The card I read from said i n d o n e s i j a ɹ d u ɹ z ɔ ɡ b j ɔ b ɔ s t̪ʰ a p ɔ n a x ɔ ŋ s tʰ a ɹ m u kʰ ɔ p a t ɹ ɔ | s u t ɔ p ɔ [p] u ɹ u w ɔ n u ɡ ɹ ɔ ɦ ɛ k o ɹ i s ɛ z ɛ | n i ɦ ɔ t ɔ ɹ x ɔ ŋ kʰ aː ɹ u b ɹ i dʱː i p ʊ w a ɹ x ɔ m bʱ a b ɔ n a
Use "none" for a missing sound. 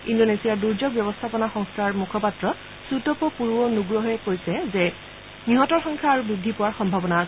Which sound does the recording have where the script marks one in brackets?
p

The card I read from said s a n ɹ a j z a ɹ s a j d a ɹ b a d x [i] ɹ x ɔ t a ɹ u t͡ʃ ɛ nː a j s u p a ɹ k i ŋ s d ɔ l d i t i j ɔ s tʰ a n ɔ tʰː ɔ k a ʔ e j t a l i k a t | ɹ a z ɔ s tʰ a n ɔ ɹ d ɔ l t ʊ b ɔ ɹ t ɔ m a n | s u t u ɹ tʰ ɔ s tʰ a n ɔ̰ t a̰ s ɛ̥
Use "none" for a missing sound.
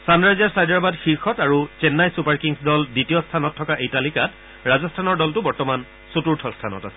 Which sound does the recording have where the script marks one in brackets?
i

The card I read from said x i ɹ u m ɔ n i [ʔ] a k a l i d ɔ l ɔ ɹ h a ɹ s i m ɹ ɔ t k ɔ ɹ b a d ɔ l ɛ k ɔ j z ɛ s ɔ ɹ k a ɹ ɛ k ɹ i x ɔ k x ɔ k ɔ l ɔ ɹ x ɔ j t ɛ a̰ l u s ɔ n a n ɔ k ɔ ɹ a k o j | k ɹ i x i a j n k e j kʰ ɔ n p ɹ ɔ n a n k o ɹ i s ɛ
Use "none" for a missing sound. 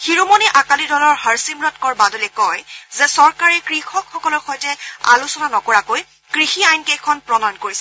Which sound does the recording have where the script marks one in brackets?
ʔ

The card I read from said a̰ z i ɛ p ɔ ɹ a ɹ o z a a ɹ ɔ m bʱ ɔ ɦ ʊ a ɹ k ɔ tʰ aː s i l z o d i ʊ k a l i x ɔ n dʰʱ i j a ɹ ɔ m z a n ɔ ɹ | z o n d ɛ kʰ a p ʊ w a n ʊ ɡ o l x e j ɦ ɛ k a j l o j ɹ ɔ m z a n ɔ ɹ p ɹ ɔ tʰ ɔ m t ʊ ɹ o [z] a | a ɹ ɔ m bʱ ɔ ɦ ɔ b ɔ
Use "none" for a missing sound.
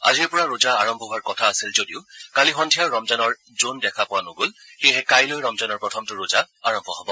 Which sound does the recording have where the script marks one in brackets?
z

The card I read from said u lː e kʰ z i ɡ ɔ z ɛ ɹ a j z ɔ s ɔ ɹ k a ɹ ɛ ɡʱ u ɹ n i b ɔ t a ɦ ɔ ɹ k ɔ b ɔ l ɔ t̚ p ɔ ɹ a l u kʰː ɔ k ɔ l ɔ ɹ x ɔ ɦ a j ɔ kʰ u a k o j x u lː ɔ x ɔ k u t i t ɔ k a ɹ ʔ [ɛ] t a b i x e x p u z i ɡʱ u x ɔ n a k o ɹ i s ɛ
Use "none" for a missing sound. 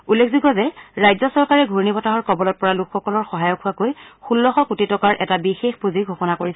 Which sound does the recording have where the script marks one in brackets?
ɛ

